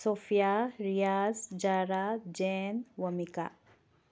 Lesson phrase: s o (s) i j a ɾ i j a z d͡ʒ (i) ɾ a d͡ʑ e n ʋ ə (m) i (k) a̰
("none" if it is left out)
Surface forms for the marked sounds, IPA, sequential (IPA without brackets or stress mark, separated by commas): f, a, m, k